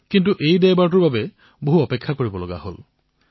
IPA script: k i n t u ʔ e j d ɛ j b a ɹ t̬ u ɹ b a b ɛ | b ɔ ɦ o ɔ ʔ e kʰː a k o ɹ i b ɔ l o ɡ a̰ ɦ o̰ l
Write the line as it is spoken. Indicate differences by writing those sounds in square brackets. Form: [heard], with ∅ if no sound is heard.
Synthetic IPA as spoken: k i n t u ʔ e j d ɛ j b a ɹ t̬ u ɹ b a b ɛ | b [o] ɦ [u] ɔ [p] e kʰː a k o ɹ i b ɔ l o ɡ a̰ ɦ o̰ l

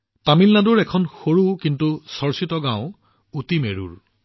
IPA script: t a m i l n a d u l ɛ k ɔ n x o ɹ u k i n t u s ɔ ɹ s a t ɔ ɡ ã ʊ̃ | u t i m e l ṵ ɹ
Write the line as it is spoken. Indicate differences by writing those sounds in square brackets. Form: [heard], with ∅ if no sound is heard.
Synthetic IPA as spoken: t a m i l n a d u [ɹ] ɛ [kʰ] ɔ n x o ɹ u k i n t u s ɔ ɹ s [i] t ɔ ɡ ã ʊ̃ | u t i m e [ɹ] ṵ ɹ

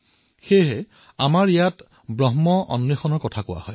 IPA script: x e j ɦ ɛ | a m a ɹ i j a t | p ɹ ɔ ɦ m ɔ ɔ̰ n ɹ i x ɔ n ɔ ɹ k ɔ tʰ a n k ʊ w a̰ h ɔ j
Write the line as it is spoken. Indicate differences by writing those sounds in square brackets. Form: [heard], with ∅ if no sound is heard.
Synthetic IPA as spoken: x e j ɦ ɛ | a m a ɹ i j a t | [b] ɹ ɔ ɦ m ɔ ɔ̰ n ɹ i x ɔ n ɔ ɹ k ɔ tʰ a [∅] k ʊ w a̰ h ɔ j

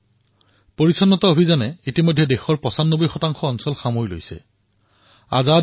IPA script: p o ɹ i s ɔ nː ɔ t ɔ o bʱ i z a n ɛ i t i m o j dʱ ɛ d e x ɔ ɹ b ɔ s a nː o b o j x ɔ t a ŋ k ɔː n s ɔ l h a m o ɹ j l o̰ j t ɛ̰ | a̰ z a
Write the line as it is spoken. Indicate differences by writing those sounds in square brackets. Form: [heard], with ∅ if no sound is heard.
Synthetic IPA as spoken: p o ɹ i s ɔ nː ɔ t ɔ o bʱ i z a n ɛ i t i m o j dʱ ɛ d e x ɔ ɹ [p] ɔ s a nː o b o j x ɔ t a ŋ [x] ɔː n s ɔ l [x] a m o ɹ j l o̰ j [s] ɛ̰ | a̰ z a

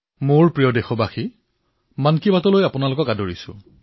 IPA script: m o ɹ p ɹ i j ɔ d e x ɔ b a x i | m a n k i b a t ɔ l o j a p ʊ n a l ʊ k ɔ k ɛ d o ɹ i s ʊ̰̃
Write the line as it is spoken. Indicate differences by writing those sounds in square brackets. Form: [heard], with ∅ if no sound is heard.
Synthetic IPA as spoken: m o ɹ p ɹ i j ɔ d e x ɔ b a x i | m a n k i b a t ɔ l o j a p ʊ n a l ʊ k ɔ k [a] d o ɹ i s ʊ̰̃

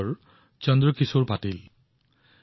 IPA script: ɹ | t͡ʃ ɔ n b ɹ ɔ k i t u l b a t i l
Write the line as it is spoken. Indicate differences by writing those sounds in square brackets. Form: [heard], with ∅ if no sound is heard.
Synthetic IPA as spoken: ɹ | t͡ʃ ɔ n [d] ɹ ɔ k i [s] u [ɹ] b a t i l

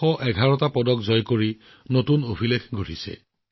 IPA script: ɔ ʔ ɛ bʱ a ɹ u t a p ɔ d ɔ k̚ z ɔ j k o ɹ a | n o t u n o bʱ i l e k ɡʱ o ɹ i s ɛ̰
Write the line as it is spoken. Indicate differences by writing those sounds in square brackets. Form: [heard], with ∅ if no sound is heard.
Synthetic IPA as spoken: ɔ ʔ ɛ [ɡʱ] a ɹ [ɔ] t a p ɔ d ɔ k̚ z ɔ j k o ɹ [i] | n o t u n o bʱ i l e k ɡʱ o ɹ i s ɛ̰

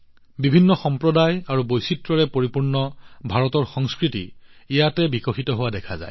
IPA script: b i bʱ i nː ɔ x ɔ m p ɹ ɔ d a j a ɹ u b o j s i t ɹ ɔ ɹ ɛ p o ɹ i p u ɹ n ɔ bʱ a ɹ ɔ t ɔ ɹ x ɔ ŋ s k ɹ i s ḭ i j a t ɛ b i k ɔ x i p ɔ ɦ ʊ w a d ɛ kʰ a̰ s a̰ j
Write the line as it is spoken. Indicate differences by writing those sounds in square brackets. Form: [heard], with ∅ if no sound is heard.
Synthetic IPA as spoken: b i bʱ i nː ɔ x ɔ m p ɹ ɔ d a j a ɹ u b o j s i t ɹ ɔ ɹ ɛ p o ɹ i p u ɹ n ɔ bʱ a ɹ ɔ t ɔ ɹ x ɔ ŋ s k ɹ i [t] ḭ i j a t ɛ b i k ɔ x i [t] ɔ ɦ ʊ w a d ɛ kʰ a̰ [z] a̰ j

